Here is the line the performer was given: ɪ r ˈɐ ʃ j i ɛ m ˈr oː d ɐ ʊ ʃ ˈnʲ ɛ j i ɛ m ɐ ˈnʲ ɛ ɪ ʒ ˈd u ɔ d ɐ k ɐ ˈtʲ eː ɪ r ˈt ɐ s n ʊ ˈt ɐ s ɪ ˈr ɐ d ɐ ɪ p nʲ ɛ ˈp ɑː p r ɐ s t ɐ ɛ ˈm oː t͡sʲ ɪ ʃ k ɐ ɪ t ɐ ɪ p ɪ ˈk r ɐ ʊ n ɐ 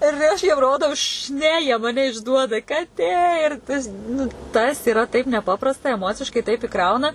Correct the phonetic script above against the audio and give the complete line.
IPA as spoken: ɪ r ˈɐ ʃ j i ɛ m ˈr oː d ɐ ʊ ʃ ˈnʲ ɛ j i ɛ m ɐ ˈnʲ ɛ ɪ ʒ ˈd u ɔ d ɐ k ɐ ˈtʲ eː ɪ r ˈt ɐ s n ʊ ˈt ɐ s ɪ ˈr ɐ t ɐ ɪ p nʲ ɛ ˈp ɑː p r ɐ s t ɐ ɛ ˈm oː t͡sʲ ɪ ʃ k ɐ ɪ t ɐ ɪ p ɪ ˈk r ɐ ʊ n ɐ